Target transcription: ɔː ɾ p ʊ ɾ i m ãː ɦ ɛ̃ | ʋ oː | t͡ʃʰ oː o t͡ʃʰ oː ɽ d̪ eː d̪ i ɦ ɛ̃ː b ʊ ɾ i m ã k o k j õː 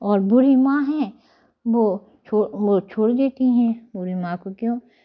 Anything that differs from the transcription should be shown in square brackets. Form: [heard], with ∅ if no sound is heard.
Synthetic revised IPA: ɔː ɾ [b] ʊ ɾ i m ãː ɦ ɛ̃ | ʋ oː | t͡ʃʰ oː o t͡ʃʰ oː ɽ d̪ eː [t̪] i ɦ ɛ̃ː b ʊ ɾ i m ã k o k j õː